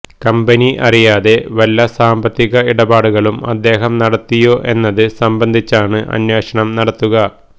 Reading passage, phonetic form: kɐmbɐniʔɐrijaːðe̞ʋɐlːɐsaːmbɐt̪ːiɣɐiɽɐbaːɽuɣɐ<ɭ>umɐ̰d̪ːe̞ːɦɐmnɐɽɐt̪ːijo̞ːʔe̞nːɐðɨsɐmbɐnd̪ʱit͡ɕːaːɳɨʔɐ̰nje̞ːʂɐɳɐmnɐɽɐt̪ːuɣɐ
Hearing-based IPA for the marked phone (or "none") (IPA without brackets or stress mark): ɭ